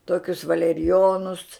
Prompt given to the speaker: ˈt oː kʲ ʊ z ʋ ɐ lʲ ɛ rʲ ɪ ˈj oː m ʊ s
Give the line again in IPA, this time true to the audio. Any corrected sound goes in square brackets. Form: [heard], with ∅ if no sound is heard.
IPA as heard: ˈt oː kʲ ʊ [s] ʋ ɐ lʲ ɛ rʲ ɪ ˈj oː [n] ʊ s